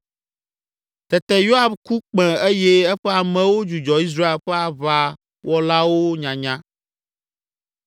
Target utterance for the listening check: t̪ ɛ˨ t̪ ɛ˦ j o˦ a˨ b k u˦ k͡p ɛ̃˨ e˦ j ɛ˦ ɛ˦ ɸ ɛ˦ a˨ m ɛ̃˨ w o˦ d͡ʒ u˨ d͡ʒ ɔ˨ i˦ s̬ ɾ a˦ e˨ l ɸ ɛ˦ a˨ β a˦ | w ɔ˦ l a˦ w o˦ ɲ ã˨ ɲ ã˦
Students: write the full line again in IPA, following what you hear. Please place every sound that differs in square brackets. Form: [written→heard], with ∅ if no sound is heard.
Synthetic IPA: t̪ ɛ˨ t̪ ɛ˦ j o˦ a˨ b k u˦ k͡p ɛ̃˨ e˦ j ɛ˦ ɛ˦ ɸ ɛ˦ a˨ m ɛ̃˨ w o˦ d͡ʒ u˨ d͡ʒ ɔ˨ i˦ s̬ ɾ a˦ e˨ l ɸ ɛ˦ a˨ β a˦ | w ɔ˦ l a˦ w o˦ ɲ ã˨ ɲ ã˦